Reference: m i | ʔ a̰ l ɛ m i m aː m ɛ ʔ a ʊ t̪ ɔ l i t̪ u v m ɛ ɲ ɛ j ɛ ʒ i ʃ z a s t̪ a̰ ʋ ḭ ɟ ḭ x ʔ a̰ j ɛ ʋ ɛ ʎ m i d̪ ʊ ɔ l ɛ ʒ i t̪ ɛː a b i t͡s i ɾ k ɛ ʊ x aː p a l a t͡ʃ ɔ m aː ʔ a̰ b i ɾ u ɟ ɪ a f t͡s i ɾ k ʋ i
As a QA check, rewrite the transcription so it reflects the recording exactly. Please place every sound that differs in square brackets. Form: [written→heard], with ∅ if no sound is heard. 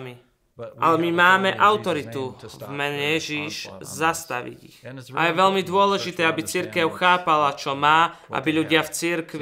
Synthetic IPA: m i | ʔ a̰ l ɛ m i m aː m ɛ ʔ a ʊ t̪ ɔ [l→ɾ] i t̪ u v m ɛ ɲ ɛ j ɛ ʒ i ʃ z a s t̪ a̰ ʋ ḭ ɟ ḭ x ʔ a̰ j ɛ ʋ ɛ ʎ m i d̪ ʊ ɔ l ɛ ʒ i t̪ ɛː a b i t͡s i ɾ k ɛ ʊ x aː p a l a t͡ʃ ɔ m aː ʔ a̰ b i [ɾ→ʎ] u ɟ ɪ a f t͡s i ɾ k ʋ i